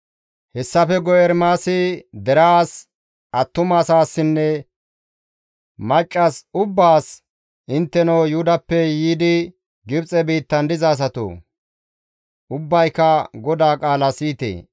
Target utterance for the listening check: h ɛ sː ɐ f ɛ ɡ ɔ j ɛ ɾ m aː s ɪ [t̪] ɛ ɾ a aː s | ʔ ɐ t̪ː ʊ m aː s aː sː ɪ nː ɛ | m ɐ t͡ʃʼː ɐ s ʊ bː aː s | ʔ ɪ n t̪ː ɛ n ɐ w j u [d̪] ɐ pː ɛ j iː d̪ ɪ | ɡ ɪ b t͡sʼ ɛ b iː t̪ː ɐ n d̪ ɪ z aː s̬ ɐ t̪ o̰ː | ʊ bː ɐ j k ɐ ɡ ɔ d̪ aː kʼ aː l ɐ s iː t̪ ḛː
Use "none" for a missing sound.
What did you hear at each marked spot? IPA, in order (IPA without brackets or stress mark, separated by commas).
d̪, d̪